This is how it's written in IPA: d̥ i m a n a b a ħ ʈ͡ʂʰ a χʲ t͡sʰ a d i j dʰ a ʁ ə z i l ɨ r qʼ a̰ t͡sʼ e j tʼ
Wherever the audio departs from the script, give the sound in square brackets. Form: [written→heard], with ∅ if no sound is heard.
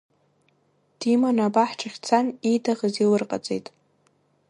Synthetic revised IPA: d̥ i m a n a b a ħ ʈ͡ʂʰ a χʲ t͡sʰ a [d→n] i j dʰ a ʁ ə z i l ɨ r qʼ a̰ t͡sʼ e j tʼ